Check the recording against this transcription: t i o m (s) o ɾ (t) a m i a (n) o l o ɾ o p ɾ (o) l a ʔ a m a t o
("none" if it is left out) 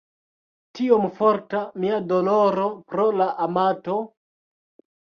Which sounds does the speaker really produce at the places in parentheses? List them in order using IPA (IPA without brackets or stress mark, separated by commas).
f, t, d, o